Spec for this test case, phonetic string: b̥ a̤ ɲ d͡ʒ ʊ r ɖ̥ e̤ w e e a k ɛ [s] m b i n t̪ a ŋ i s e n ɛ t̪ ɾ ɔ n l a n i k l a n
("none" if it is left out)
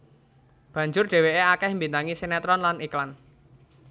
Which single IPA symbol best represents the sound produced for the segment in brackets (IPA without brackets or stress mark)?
h